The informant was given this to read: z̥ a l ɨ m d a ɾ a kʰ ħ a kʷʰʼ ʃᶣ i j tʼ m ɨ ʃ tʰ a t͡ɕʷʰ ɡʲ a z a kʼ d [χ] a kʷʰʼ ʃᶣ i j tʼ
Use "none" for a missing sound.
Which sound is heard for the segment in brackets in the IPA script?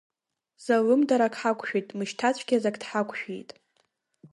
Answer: ħ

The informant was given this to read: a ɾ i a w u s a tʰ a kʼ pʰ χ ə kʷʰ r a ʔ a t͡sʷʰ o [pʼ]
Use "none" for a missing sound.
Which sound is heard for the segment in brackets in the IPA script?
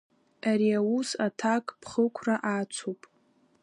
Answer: pʼ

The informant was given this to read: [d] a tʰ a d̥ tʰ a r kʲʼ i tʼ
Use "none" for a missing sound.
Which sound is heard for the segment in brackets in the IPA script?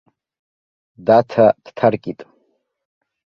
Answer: d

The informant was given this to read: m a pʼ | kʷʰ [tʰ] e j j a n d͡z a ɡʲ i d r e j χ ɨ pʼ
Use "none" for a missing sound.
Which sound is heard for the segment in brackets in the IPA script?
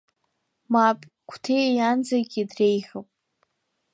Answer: tʰ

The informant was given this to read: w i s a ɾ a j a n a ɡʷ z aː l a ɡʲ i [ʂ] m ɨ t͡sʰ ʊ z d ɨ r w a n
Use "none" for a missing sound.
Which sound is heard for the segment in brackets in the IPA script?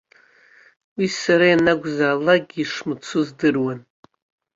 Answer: ʂ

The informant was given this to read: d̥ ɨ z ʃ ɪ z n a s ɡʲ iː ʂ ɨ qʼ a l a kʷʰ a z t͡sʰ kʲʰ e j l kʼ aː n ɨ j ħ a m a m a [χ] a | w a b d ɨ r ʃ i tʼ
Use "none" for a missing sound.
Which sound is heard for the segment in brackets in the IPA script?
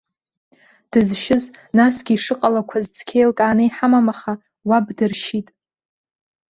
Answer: χ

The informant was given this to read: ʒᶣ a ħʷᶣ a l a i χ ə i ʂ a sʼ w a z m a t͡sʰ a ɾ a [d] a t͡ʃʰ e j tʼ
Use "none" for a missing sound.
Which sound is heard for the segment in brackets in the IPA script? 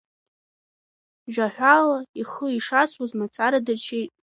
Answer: d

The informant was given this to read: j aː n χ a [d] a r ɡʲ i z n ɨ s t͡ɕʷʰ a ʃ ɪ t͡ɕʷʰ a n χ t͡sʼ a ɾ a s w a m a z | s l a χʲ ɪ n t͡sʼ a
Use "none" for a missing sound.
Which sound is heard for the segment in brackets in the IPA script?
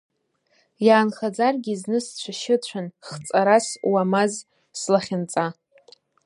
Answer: d͡z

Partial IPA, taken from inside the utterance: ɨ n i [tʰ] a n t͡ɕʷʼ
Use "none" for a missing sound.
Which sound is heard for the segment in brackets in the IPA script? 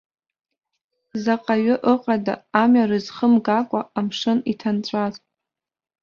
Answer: tʰ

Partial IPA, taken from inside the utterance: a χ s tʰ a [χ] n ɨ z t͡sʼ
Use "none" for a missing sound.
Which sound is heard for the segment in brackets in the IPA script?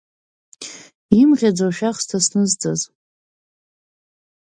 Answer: s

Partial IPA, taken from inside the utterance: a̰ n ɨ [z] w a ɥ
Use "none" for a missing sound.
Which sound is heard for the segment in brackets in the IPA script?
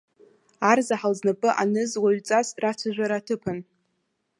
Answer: z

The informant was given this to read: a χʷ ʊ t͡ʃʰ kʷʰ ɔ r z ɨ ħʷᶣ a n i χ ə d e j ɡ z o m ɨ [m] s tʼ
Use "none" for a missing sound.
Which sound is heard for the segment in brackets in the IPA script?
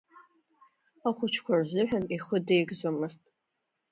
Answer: none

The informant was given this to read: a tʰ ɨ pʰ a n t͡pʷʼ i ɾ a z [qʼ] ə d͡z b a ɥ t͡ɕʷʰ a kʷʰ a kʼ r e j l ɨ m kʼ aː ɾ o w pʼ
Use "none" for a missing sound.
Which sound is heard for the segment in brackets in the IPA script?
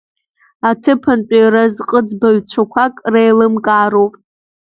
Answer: qʼ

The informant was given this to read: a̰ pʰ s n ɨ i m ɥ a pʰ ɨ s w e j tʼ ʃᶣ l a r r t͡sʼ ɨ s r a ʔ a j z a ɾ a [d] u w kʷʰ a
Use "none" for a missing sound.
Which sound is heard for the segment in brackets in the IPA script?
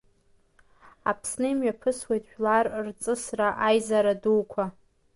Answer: d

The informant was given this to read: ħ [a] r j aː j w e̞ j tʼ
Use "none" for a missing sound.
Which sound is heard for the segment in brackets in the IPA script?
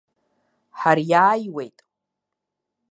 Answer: a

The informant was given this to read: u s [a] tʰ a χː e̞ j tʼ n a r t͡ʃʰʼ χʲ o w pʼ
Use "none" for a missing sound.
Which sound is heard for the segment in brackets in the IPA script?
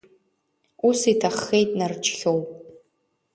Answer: i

